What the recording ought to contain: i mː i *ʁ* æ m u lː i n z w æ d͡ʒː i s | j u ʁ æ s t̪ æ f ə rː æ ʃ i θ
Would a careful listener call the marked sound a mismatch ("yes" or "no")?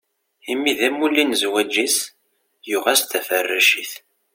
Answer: yes